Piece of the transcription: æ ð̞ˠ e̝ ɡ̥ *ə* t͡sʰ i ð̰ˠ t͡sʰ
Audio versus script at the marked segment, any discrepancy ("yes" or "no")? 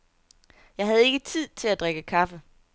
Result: no